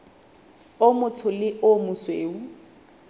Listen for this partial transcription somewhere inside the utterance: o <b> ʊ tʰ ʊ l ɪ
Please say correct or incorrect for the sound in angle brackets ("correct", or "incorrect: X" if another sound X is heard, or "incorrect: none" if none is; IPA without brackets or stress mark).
incorrect: m